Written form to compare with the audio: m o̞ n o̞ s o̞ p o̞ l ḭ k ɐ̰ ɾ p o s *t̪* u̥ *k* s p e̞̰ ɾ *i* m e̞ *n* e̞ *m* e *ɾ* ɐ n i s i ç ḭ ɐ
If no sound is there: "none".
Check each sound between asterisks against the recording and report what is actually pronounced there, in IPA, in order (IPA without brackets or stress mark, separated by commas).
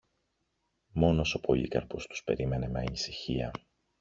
t̪, none, i, n, m, none